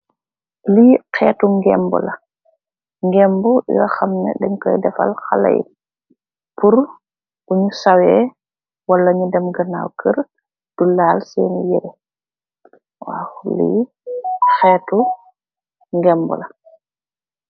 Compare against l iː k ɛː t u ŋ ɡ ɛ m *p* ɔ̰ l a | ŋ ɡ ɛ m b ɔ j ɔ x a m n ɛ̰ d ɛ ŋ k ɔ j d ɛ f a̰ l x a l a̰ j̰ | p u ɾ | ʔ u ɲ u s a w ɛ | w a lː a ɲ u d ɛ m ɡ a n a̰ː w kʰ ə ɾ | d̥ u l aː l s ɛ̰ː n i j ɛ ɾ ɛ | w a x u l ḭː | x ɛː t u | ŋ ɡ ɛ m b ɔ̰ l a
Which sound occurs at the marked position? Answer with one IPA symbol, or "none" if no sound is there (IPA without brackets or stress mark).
b